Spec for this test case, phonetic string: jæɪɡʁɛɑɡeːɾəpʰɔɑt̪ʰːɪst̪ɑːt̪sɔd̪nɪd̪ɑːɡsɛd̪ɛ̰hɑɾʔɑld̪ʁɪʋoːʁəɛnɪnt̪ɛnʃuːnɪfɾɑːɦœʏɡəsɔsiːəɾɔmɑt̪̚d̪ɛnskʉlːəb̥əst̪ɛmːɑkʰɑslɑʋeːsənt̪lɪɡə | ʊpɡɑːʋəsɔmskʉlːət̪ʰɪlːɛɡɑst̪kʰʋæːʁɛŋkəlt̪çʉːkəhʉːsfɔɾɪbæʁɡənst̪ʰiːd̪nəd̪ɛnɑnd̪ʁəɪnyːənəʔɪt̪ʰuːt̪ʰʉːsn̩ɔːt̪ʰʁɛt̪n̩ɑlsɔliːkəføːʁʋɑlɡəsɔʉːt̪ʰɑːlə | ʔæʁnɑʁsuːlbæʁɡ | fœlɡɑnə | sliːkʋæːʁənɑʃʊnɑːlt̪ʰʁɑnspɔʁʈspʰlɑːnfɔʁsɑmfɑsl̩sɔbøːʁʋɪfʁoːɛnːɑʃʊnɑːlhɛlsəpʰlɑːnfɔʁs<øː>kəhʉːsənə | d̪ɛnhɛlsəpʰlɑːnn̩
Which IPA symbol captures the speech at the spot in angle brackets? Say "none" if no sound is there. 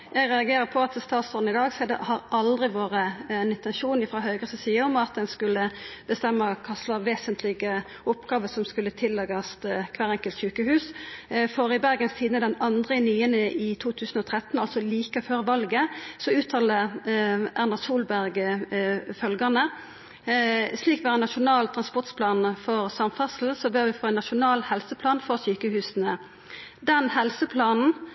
yː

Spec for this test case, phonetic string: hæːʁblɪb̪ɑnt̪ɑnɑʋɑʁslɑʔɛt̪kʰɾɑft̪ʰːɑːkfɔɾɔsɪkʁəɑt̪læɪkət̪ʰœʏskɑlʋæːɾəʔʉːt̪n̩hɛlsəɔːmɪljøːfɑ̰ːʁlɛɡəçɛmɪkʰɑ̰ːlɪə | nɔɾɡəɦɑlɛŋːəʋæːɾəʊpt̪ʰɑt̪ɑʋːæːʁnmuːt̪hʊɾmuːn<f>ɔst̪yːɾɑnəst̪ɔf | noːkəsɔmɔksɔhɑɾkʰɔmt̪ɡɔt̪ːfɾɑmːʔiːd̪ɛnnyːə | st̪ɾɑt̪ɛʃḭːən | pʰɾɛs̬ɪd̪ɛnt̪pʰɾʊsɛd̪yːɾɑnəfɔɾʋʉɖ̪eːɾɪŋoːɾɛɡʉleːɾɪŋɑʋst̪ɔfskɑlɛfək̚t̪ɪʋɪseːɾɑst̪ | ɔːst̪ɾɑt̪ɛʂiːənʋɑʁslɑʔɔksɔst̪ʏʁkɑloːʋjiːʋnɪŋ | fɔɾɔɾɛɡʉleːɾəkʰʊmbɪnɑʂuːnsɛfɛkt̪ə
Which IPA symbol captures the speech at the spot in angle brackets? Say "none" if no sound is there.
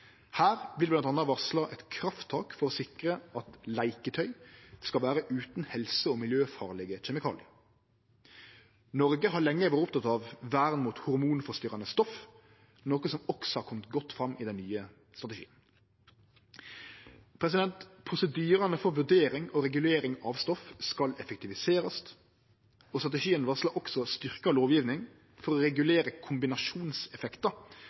f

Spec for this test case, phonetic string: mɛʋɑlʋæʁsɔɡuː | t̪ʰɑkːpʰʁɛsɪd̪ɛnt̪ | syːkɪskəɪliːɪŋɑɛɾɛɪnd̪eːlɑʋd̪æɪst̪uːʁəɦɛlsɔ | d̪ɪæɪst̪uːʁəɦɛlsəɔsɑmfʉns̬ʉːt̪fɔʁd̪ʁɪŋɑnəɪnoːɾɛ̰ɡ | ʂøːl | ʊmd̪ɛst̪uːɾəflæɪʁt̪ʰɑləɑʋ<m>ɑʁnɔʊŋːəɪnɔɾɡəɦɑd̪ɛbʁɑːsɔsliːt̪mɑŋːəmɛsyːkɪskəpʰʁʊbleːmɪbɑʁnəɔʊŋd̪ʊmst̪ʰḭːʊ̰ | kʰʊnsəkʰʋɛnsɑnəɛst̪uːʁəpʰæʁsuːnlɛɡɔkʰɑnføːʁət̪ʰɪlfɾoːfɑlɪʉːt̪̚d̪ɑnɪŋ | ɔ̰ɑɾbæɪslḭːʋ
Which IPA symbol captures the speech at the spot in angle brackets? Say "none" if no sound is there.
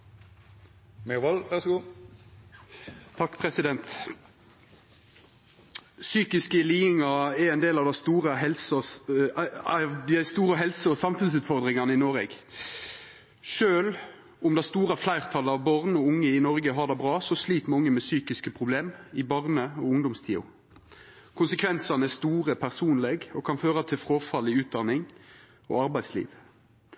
b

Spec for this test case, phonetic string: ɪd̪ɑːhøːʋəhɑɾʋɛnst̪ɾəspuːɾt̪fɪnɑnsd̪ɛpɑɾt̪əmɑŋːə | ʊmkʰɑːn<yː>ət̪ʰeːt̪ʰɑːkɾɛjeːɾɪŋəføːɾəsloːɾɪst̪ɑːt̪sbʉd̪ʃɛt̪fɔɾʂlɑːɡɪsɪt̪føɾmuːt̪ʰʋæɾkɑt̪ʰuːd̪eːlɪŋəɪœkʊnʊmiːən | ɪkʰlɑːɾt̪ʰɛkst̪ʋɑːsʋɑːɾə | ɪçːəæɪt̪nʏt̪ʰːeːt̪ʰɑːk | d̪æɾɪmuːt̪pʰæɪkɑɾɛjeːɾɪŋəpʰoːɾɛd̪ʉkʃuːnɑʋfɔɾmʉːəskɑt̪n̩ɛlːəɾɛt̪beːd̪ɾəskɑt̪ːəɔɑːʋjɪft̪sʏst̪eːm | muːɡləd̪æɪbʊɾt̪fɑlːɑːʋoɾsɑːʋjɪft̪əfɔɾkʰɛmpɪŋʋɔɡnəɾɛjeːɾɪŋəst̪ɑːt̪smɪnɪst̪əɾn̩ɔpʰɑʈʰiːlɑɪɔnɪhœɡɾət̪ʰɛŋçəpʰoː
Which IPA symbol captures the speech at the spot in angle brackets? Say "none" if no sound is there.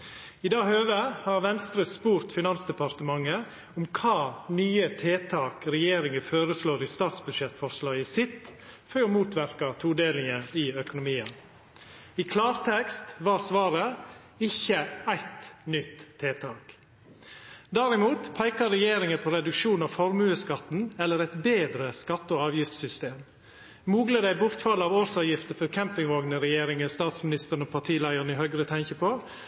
yː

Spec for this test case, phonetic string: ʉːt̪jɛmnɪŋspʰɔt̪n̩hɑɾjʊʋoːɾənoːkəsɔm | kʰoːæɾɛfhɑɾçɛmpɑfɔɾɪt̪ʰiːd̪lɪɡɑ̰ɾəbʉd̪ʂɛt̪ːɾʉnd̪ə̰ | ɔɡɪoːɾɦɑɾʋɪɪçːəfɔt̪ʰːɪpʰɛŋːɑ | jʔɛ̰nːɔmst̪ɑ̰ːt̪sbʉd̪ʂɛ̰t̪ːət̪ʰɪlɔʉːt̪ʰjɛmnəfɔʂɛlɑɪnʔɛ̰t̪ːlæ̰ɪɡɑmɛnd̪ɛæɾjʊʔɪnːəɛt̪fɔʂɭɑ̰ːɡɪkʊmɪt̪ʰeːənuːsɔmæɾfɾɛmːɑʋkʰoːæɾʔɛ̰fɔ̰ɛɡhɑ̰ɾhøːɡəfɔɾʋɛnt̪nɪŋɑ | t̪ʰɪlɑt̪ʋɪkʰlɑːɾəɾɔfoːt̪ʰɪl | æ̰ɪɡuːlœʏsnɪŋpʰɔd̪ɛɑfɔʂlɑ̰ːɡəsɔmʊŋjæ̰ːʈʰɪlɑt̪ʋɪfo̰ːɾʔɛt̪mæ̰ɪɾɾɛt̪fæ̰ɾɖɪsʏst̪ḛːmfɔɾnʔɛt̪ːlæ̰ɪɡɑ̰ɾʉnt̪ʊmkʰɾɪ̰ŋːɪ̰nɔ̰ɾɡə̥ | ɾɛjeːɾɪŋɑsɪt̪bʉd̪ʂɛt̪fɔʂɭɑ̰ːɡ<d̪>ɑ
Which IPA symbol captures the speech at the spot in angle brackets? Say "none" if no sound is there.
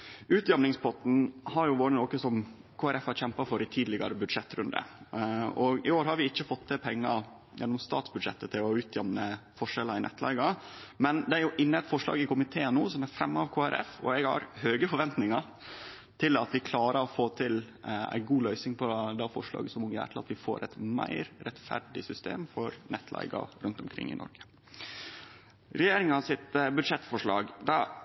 d̪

